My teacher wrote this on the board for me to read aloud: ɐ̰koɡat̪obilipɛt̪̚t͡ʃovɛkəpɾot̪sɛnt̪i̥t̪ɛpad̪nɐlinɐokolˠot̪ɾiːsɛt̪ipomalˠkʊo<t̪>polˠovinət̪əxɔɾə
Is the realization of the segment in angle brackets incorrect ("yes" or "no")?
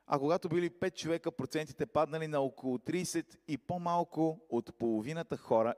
no